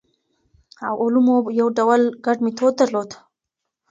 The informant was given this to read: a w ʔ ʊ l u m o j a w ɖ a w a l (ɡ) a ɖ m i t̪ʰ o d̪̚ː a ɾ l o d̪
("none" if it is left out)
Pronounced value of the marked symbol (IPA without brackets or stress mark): ɡ